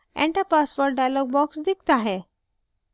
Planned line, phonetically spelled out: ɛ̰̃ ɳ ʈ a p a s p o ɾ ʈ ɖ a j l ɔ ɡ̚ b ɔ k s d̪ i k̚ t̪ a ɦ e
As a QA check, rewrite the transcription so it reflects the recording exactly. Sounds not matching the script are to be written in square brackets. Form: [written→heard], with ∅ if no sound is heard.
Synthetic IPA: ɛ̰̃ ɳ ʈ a p a s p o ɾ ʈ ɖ a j l ɔ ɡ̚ b ɔ k s d̪ i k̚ t̪ a ɦ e

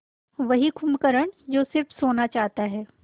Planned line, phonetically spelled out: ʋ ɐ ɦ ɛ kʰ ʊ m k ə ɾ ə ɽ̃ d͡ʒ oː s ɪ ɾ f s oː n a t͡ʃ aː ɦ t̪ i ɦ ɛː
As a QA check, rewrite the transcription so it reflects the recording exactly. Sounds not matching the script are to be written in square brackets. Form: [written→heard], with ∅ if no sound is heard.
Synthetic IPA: ʋ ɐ ɦ [ɛ→i] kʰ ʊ m k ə ɾ ə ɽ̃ d͡ʒ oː s ɪ ɾ f s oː n a t͡ʃ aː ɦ t̪ [i→a] ɦ ɛː

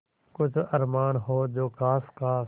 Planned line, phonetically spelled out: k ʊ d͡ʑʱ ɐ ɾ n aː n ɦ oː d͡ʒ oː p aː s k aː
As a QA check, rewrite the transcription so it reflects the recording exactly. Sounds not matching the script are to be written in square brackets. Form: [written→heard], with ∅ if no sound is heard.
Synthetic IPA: k ʊ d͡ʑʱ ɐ ɾ [n→m] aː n ɦ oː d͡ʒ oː [p→k] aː s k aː

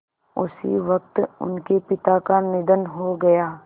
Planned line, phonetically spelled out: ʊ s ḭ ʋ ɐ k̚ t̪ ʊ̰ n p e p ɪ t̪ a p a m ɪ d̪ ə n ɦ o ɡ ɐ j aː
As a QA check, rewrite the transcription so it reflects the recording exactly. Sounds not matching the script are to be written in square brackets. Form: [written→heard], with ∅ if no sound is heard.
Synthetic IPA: ʊ s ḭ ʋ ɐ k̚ t̪ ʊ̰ n [p→k] e p ɪ t̪ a [p→k] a [m→n] ɪ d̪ ə n ɦ o ɡ ɐ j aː

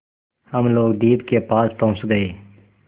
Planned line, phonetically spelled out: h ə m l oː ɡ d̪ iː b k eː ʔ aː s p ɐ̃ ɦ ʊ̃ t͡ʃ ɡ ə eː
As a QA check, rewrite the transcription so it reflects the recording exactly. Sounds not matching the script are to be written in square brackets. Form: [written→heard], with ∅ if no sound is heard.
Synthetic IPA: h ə m l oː ɡ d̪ iː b k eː [ʔ→p] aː s p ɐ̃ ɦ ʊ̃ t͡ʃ ɡ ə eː

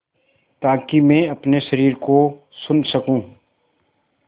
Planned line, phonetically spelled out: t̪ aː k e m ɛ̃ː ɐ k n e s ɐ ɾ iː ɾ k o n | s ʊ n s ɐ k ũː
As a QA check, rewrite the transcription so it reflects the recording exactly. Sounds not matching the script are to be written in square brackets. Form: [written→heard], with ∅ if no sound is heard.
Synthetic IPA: t̪ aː k [e→i] m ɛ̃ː ɐ [k→p] n e [s→ʃ] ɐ ɾ iː ɾ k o [n→∅] | s ʊ n s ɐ k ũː

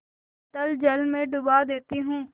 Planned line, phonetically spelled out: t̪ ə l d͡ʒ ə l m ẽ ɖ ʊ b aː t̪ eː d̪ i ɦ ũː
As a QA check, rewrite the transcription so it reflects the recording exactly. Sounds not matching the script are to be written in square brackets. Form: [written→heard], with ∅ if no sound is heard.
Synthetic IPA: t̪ ə l d͡ʒ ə l m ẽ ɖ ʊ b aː [t̪→d̪] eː [d̪→t̪] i ɦ ũː

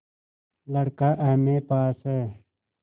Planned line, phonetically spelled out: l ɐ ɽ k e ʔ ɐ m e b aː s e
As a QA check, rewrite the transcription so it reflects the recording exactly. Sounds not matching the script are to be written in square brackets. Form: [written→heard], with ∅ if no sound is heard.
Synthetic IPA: l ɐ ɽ k [e→a] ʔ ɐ m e [b→p] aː s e

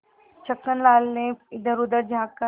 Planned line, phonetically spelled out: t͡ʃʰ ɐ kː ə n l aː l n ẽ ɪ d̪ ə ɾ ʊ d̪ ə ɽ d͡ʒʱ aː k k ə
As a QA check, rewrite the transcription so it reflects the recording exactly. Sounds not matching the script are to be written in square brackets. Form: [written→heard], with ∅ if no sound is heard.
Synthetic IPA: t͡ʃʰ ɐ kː ə n l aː l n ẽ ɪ d̪ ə ɾ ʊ d̪ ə [ɽ→ɾ] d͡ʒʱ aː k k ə

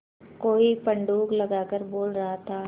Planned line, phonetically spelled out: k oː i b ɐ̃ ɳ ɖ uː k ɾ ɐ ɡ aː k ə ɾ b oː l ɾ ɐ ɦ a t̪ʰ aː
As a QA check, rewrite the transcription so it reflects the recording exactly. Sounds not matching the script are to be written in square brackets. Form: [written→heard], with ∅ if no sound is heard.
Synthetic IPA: k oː i [b→p] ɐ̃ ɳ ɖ uː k [ɾ→l] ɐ ɡ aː k ə ɾ b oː l ɾ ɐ ɦ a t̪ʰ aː

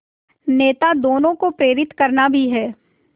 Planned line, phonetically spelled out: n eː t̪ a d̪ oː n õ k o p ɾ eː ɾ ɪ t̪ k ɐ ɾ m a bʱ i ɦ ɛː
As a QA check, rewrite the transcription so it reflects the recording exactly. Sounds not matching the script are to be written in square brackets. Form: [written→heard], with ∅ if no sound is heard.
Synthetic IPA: n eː t̪ a d̪ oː n õ k o p ɾ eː ɾ ɪ t̪ k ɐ ɾ [m→n] a bʱ i ɦ ɛː

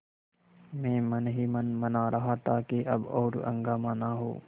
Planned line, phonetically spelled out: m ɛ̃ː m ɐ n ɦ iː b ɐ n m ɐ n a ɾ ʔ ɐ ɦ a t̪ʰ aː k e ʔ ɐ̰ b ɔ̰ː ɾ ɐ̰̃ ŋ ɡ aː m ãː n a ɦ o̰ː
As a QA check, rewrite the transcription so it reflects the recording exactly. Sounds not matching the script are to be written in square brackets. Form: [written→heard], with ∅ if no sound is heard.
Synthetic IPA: m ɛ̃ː m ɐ n ɦ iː [b→m] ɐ n m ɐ n a ɾ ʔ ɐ ɦ a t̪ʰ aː k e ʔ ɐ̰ b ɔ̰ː ɾ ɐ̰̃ ŋ ɡ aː m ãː n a ɦ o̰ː

